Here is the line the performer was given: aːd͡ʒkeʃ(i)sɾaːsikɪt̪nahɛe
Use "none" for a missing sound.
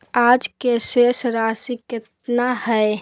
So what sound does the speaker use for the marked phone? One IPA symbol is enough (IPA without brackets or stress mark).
e